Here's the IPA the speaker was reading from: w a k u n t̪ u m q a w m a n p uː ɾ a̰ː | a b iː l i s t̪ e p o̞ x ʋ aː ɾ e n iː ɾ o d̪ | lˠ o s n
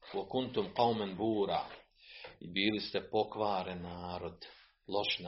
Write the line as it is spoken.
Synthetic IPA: w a k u n t̪ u m q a w m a n b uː ɾ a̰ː | i b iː l i s t̪ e p o̞ k ʋ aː ɾ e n aː ɾ o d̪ | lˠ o ʃ n